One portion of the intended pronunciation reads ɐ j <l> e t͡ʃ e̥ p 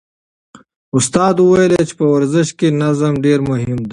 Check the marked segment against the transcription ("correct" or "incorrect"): correct